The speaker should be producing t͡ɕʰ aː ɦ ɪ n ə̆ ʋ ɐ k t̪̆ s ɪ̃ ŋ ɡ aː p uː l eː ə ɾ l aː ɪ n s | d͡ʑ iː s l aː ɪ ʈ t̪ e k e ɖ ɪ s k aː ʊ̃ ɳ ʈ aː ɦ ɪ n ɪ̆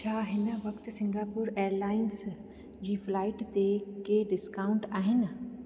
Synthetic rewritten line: t͡ɕʰ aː ɦ ɪ n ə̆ ʋ ɐ k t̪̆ s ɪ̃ ŋ ɡ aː p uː ɾ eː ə ɾ l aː ɪ n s | d͡ʑ iː f l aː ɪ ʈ t̪ e k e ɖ ɪ s k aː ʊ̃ ɳ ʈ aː ɦ ɪ n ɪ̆